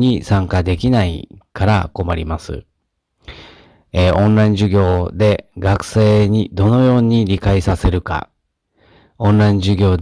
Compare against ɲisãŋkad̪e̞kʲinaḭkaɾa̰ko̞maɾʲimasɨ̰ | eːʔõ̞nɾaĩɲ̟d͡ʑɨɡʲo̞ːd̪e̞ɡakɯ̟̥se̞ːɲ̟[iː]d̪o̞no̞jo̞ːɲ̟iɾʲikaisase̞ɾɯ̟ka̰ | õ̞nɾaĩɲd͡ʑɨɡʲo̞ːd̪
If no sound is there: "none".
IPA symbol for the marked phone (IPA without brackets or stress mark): i